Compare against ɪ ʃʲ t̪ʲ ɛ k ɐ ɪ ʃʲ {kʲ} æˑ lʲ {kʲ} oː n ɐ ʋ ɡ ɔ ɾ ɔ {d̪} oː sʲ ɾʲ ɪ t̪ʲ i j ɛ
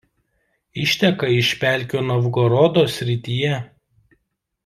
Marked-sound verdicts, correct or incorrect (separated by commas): incorrect, correct, correct